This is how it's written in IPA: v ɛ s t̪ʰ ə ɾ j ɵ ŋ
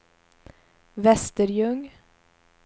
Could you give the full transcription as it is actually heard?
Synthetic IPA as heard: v ɛ s t̪ ə ɾ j ɵ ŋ